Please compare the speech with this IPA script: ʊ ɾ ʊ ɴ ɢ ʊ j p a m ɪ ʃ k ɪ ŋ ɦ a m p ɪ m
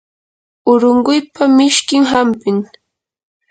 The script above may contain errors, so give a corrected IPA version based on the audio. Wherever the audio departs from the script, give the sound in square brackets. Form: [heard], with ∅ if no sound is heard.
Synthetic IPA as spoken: ʊ ɾ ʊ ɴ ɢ ʊ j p a m ɪ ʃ k ɪ ŋ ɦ a m p ɪ [ŋ]